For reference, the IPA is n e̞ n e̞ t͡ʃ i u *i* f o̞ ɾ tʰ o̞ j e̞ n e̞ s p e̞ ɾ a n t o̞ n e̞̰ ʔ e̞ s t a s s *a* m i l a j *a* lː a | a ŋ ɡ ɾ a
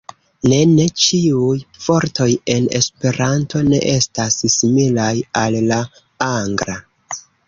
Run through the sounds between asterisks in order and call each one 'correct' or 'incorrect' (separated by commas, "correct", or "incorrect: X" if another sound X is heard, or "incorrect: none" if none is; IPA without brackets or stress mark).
incorrect: j, incorrect: i, correct